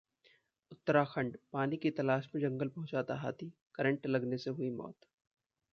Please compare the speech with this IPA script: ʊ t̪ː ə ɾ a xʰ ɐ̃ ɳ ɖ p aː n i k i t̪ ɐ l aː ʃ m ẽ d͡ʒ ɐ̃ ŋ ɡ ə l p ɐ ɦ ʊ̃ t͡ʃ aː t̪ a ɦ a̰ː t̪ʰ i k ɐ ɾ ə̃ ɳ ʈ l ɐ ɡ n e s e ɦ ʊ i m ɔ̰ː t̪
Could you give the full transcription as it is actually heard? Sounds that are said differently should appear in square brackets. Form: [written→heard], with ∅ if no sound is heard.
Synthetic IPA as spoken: ʊ t̪ː ə ɾ a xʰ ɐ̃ ɳ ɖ p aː n i k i t̪ ɐ l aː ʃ m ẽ d͡ʒ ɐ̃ ŋ ɡ ə l p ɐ ɦ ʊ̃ t͡ʃ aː t̪ a ɦ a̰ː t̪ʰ i k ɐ ɾ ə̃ ɳ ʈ l ɐ ɡ n e s e ɦ ʊ i m ɔ̰ː t̪